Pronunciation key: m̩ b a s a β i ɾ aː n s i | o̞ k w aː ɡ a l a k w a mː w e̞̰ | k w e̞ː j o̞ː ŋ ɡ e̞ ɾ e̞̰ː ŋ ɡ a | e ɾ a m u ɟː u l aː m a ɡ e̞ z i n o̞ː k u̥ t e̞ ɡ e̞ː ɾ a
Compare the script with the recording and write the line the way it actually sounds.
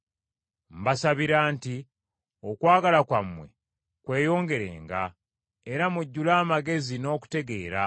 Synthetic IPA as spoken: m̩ b a s a β i ɾ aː n t i | o̞ k w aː ɡ a l a k w a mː w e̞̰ | k w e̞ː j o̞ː ŋ ɡ e̞ ɾ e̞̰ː ŋ ɡ a | e ɾ a m u ɟː u l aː m a ɡ e̞ z i n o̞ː k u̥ t e̞ ɡ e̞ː ɾ a

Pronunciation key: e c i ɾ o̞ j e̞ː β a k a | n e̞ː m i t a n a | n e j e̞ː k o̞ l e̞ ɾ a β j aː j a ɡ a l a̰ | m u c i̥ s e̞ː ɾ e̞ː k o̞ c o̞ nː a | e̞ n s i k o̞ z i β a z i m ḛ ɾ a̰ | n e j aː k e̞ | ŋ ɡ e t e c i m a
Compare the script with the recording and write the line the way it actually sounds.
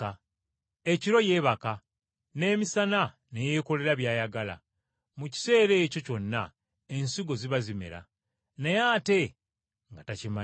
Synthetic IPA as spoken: e c i ɾ o̞ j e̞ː β a k a | n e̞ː m i s a n a | n e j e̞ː k o̞ l e̞ ɾ a β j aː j a ɡ a l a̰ | m u c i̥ s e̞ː ɾ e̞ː c o̞ c o̞ nː a | e̞ n s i ɡ o̞ z i β a z i m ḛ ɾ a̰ | n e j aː t e̞ | ŋ ɡ a t a c i m a

